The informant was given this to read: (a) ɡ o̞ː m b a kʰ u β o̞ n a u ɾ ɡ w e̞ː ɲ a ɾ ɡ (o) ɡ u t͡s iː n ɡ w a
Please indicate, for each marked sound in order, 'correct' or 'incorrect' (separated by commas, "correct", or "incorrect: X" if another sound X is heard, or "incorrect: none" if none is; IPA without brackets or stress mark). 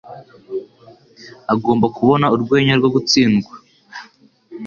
correct, correct